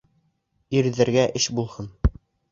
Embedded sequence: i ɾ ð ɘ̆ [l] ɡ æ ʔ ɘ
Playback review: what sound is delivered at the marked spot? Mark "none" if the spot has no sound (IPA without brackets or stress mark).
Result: ɾ